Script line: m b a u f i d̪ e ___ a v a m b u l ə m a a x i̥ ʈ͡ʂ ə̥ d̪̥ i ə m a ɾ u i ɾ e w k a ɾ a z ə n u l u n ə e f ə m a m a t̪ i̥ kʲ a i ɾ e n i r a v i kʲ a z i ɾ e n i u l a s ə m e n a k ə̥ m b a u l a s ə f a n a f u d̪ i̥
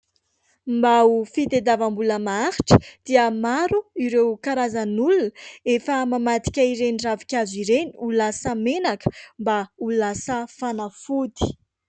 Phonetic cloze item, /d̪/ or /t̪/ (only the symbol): d̪